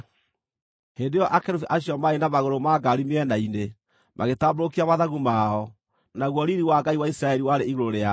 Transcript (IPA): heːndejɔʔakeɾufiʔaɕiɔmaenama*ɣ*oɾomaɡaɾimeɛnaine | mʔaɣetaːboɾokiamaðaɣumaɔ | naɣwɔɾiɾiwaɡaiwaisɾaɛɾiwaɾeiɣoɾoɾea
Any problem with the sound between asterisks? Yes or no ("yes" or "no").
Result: no